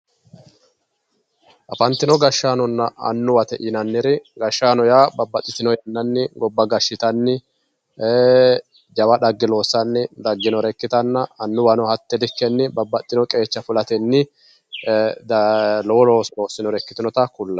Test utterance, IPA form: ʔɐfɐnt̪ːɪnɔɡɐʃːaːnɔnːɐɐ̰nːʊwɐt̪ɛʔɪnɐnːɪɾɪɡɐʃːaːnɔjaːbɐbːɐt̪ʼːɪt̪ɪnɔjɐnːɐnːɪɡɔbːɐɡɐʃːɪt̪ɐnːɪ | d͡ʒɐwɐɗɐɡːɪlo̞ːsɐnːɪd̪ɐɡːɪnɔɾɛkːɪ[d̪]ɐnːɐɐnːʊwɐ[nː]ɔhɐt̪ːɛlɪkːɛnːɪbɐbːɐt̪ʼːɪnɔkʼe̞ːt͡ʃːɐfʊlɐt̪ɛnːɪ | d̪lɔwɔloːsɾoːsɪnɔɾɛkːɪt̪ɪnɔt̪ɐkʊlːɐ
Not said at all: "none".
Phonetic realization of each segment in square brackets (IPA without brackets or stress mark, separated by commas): t̪, n